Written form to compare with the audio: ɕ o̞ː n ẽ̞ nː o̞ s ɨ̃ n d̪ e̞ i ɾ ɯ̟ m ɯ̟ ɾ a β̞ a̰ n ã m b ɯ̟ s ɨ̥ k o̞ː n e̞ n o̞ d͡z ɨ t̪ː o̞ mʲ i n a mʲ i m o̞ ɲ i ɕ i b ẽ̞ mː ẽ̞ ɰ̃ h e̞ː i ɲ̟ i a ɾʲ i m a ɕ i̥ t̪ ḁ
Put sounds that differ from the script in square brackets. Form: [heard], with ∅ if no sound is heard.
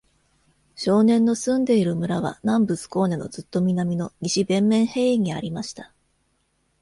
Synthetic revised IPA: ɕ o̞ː n ẽ̞ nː o̞ s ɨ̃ n d̪ e̞ i ɾ ɯ̟ m ɯ̟ ɾ a β̞ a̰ n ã m b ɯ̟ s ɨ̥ k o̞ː n e̞ n o̞ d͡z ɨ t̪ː o̞ mʲ i n a mʲ i [n] o̞ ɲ i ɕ i b ẽ̞ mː ẽ̞ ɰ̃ h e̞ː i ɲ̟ i a ɾʲ i m a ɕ i̥ t̪ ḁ